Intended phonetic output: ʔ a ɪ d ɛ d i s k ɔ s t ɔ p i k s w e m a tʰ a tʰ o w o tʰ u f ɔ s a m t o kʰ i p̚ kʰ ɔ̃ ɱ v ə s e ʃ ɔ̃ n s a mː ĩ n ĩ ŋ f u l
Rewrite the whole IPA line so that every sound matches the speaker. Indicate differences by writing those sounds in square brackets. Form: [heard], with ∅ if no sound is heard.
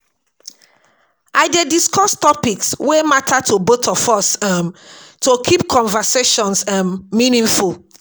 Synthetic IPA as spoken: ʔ a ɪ d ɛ d i s k ɔ s t ɔ p i k s w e m a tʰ a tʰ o [b] o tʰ [ɔ] f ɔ s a m t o kʰ i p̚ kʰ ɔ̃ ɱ v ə s e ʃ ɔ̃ n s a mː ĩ n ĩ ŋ f u l